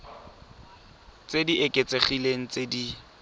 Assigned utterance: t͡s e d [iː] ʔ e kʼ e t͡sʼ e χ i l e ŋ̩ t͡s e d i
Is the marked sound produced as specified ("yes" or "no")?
no